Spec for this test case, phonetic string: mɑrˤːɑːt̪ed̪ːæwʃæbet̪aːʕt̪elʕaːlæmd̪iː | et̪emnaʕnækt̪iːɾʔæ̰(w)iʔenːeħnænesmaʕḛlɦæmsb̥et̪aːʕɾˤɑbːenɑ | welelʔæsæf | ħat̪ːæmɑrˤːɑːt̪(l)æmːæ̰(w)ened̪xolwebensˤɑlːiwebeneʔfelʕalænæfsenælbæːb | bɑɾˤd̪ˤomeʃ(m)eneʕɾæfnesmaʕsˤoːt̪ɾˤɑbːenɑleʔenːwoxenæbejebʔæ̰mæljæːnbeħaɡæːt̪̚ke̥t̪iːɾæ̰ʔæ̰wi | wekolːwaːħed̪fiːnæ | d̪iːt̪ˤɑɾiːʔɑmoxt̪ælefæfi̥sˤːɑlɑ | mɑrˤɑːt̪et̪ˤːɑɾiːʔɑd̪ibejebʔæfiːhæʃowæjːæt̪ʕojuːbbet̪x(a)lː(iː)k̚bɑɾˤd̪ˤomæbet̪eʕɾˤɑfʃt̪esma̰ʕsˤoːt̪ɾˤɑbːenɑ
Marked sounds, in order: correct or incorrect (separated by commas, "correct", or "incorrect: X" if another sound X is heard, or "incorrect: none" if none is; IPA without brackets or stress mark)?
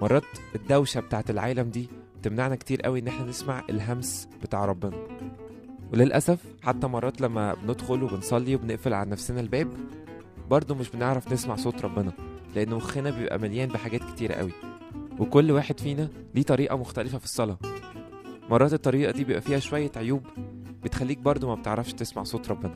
correct, correct, incorrect: b, incorrect: b, incorrect: æ, correct